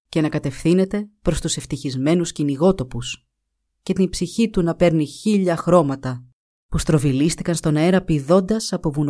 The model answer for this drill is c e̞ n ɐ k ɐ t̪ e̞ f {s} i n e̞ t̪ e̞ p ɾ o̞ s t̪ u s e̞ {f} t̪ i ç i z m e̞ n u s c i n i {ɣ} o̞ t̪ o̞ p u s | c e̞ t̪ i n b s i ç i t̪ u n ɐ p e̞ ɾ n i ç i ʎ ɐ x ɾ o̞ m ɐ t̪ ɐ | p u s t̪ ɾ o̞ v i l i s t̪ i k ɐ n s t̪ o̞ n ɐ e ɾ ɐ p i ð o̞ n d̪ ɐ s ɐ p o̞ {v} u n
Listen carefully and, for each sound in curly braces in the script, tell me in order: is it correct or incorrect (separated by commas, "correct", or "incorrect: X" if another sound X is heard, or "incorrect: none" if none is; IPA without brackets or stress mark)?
incorrect: θ, correct, correct, correct